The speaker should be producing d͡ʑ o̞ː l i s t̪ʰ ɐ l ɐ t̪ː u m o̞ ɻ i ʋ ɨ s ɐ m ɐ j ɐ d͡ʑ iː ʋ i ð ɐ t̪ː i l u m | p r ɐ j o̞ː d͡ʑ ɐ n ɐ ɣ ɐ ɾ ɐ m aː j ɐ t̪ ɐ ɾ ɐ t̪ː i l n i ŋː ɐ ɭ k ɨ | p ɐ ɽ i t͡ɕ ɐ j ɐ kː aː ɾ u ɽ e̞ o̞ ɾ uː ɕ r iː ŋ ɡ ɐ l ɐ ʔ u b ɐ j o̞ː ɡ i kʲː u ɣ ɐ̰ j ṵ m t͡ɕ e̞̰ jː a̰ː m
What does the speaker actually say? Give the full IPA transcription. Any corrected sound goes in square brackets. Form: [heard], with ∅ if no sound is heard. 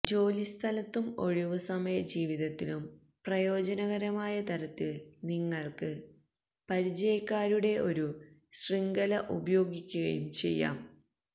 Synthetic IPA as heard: d͡ʑ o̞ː l i s t̪ʰ ɐ l ɐ t̪ː u m o̞ ɻ i ʋ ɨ s ɐ m ɐ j ɐ d͡ʑ iː ʋ i ð ɐ t̪ː i l u m | p r ɐ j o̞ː d͡ʑ ɐ n ɐ ɣ ɐ ɾ ɐ m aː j ɐ t̪ ɐ ɾ ɐ t̪ː i l n i ŋː ɐ ɭ k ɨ | p ɐ [ɾ] i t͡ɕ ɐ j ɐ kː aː ɾ u ɽ e̞ o̞ ɾ [u] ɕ r [i] ŋ ɡ ɐ l ɐ ʔ u b ɐ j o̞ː ɡ i kʲː u ɣ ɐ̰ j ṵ m t͡ɕ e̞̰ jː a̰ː m